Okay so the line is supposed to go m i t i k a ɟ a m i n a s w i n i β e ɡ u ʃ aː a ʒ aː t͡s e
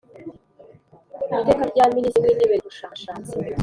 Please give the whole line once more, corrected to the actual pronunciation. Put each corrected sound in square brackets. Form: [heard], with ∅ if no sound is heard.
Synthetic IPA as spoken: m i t [e] k a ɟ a m i n [i] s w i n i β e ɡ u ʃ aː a [ʃ] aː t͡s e